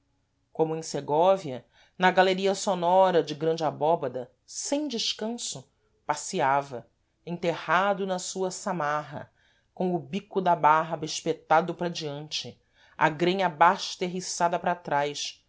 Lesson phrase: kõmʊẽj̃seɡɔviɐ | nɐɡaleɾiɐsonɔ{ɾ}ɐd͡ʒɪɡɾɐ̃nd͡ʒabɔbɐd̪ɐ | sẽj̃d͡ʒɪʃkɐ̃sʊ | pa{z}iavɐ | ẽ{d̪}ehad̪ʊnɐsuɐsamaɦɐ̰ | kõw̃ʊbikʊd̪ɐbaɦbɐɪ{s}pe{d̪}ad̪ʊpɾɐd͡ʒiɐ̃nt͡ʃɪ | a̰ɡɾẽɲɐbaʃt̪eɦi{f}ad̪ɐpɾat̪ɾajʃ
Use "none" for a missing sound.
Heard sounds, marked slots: ɾ, s, t̪, ʃ, t̪, s

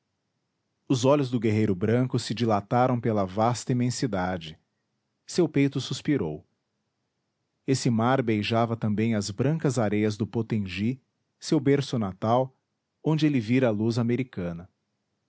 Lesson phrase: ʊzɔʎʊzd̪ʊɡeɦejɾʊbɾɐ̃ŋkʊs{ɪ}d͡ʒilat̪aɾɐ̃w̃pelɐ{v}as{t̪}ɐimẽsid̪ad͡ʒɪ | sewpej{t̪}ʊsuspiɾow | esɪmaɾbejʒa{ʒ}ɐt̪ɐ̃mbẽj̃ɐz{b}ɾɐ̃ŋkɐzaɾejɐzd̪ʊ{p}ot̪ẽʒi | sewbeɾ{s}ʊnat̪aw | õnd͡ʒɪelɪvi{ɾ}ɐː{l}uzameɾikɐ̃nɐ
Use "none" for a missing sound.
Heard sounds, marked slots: ɪ, v, t̪, t̪, v, b, p, s, ɾ, l

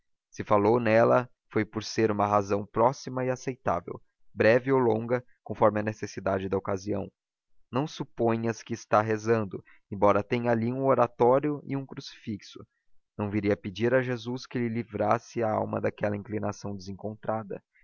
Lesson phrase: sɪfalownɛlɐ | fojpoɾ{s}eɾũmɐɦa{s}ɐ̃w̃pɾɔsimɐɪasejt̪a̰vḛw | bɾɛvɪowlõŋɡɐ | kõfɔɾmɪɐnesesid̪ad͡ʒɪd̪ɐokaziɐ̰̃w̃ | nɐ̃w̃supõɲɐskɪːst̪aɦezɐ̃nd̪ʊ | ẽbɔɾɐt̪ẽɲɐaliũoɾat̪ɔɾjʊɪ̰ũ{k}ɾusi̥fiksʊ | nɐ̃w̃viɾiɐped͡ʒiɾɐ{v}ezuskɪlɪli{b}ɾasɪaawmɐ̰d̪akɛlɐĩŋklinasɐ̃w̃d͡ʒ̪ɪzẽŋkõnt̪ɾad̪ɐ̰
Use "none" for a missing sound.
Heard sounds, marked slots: s, z, k, ʒ, v

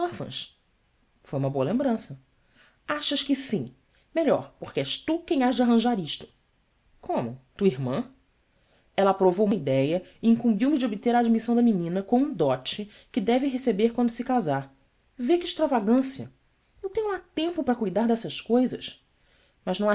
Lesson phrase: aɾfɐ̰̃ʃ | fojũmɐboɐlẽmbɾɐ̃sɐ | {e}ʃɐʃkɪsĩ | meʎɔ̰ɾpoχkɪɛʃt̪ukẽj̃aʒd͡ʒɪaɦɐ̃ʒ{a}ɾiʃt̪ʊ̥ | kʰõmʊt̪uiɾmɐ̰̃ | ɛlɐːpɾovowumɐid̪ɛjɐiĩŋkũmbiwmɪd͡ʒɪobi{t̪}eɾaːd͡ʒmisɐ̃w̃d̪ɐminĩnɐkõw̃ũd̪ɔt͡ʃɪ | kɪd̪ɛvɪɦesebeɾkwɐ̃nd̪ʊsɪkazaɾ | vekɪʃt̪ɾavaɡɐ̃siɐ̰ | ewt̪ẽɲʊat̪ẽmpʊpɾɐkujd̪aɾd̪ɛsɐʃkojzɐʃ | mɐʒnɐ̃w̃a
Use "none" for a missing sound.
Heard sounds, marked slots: a, a, t̪

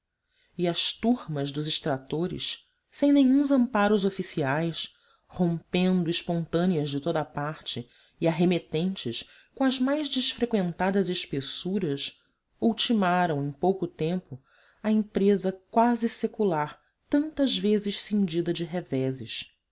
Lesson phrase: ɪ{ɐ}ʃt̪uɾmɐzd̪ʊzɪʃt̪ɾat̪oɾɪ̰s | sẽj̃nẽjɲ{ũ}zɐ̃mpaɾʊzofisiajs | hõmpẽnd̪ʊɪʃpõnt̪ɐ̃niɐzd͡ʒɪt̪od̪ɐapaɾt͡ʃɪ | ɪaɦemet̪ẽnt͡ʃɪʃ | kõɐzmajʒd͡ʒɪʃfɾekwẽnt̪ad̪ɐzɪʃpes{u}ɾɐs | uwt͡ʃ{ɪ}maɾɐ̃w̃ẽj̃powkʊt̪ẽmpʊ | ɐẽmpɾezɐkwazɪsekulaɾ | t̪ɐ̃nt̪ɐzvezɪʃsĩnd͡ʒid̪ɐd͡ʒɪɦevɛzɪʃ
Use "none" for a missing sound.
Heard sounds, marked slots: ɐ, ũ, u, i

